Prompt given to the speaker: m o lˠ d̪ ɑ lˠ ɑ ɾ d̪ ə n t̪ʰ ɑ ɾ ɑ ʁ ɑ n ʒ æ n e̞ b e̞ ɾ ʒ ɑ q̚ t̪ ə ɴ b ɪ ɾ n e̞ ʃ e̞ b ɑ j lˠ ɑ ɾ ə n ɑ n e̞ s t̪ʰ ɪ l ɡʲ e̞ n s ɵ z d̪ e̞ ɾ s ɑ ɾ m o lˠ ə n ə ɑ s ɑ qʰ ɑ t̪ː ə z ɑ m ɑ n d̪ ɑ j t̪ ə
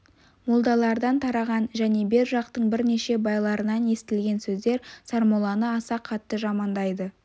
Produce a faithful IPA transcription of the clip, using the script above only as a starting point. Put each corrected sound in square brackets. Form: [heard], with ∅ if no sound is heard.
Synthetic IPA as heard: m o lˠ d̪ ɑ lˠ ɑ ɾ d̪ [ɑ] n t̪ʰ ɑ ɾ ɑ ʁ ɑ n ʒ æ n e̞ b e̞ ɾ ʒ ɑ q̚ t̪ ə ɴ b ɪ ɾ n e̞ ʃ e̞ b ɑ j lˠ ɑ ɾ ə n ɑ n e̞ s [t̪] ɪ l ɡʲ e̞ n s ɵ z d̪ e̞ ɾ s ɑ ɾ m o lˠ [ɑ] n ə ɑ s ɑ qʰ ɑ t̪ː ə [ʒ] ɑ m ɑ n d̪ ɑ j [d̪] ə